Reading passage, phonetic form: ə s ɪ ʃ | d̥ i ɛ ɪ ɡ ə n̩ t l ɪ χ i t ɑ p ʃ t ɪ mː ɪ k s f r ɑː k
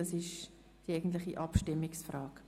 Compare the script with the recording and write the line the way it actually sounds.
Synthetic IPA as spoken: ɑ s ɪ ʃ | d̥ i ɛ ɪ ɡ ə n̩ t l ɪ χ i ʔ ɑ p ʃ t ɪ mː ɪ k s f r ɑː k

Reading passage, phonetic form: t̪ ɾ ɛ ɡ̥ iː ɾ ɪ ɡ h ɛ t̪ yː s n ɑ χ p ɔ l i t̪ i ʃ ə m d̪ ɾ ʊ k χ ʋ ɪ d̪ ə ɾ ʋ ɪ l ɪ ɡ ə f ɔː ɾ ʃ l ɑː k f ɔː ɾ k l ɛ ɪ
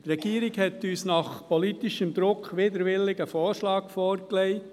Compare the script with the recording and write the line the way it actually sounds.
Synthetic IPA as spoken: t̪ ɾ ɛ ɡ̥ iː ɾ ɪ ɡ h ɛ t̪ yː s n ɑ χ p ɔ l i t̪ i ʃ ə m d̪ ɾ ʊ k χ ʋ ɪ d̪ ə ɾ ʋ ɪ l ɪ ɡ ə f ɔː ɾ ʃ l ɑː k f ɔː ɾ k l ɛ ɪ

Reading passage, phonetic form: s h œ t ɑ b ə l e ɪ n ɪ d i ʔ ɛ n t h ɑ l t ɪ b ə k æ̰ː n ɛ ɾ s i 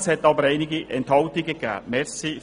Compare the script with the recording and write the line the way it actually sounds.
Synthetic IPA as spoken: s h ɛ t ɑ b ə ɾ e ɪ n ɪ ɡ i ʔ ɛ n t h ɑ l t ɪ ɡ ə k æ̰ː m ɛ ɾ s i

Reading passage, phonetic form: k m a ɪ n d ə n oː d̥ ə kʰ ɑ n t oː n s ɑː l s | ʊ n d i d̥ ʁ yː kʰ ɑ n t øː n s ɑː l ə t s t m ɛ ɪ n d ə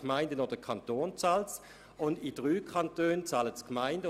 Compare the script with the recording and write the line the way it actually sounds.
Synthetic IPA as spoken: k m a ɪ n d ə n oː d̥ ə kʰ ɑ n t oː n t͡s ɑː l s | ʊ n d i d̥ ʁ yː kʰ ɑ n t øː n t͡s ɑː l ə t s k m a ɪ n d ə

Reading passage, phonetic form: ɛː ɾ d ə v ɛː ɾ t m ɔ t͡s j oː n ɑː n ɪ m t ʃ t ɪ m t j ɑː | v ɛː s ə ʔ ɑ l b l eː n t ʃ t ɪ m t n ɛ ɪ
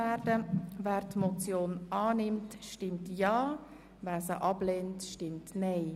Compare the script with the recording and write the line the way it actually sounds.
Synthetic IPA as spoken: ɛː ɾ d ə v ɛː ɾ t m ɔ t͡s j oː n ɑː n ɪ m t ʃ t ɪ m t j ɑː | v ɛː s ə ʔ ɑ b l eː n t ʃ t ɪ m t n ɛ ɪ

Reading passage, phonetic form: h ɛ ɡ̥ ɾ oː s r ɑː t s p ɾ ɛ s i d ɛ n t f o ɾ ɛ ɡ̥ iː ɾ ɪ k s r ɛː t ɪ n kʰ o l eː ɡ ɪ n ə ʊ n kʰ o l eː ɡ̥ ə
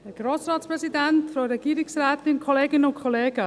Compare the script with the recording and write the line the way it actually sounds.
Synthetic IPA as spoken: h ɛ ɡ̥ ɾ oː s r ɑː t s p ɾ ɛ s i d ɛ n t f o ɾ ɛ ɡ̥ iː ɾ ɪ k s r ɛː t ɪ n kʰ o l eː ɡ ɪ n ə ʊ n kʰ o l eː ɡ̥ ə

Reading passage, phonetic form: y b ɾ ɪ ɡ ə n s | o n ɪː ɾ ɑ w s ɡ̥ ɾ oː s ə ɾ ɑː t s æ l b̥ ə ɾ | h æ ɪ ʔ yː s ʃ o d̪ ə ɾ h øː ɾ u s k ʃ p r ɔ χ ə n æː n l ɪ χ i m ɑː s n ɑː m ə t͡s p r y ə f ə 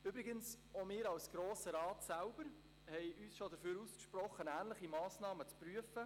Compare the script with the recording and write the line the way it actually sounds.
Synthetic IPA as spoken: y b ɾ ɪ ɡ ə n s | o m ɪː ɾ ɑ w s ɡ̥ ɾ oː s ə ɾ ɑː t s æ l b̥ ə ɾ | h ɛ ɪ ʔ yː s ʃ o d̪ ə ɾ f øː ɾ u s k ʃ p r ɔ χ ə n æː n l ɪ χ i m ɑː s n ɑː m ə t͡s p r y ə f ə

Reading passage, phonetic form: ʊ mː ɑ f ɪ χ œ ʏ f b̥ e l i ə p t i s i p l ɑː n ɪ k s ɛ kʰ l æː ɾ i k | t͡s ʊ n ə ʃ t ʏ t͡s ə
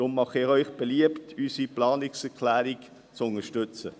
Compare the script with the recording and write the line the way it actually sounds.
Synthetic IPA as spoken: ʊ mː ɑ χ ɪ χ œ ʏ χ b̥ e l i ə p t y s i p l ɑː n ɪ k s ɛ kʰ l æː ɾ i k | t͡s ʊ n ə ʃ t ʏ t͡s ə

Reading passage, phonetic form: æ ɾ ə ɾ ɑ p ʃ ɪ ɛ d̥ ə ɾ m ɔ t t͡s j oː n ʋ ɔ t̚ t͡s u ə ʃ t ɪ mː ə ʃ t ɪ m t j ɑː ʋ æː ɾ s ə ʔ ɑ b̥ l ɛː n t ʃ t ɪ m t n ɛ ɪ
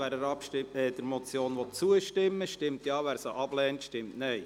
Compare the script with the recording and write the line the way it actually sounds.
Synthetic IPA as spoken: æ ɾ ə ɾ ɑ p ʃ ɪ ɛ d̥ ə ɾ m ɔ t t͡s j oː n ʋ ɔ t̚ t͡s u ə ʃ t ɪ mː ə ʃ t ɪ m t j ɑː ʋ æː ɾ s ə ʔ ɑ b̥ l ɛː n t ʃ t ɪ m t n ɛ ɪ

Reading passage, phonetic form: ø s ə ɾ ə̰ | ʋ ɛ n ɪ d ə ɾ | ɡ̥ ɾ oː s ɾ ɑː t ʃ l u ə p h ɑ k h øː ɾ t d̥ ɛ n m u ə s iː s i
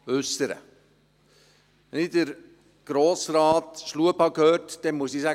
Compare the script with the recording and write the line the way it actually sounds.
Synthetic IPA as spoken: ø s ə ɾ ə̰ | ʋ ɛ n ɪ d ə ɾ | ɡ̥ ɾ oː s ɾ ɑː t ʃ l u ə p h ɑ k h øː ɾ t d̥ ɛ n m u ə s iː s æ

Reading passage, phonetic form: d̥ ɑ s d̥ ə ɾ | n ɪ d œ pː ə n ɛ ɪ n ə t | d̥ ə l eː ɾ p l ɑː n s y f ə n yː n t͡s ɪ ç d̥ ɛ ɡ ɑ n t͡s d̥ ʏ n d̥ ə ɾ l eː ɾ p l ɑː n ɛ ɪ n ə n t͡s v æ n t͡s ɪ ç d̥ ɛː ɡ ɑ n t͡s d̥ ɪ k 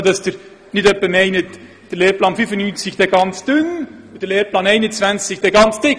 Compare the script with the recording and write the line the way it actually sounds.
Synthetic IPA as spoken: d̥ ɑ s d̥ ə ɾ | n ɪ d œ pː ə m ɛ ɪ n ə t | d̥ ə l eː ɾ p l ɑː n f y f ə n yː n t͡s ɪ ç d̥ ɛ ɡ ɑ n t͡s d̥ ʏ n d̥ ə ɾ l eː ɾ p l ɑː n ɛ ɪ n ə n t͡s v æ n t͡s ɪ ç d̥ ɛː ɡ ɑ n t͡s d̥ ɪ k

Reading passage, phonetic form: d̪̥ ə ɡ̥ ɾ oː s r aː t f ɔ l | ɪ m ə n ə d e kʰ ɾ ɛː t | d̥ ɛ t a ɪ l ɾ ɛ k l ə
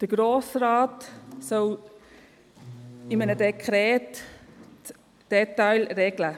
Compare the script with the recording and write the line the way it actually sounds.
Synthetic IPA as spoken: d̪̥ ə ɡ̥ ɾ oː s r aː t s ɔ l | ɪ m ə n ə d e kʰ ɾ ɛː t | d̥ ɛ t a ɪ l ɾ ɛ ɡ l ə

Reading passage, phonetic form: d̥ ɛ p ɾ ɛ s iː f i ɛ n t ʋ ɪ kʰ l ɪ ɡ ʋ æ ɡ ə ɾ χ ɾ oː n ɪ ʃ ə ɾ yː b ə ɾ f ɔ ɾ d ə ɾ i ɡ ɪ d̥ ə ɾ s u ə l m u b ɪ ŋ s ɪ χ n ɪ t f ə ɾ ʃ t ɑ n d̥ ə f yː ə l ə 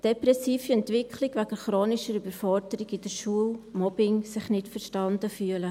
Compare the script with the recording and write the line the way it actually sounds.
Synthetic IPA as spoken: d̥ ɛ p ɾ ɛ s iː f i ɛ n t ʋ ɪ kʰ l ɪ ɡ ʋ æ ɡ ə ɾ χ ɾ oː n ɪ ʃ ə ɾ y b ə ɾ f ɔ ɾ d ə ɾ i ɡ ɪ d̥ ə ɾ ʃ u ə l m ɔ b ɪ ŋ s ɪ χ n ɪ t f ə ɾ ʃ t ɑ n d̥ ə f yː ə l ə

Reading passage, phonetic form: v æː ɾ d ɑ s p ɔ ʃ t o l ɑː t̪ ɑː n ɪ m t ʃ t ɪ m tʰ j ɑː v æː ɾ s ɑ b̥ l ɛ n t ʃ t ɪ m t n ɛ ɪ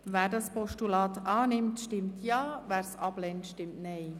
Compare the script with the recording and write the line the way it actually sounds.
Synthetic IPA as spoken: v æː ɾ d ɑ s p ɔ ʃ t u l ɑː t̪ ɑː n ɪ m t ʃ t ɪ m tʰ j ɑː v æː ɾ s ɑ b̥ l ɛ n t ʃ t ɪ m t n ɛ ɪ

